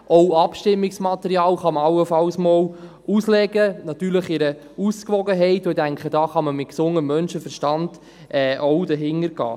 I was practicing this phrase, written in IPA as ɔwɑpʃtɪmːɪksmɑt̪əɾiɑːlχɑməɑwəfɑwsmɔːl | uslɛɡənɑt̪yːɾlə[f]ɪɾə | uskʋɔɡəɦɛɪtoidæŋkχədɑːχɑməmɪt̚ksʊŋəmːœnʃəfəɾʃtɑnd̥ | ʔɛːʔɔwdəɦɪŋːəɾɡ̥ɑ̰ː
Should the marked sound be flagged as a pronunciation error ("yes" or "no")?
yes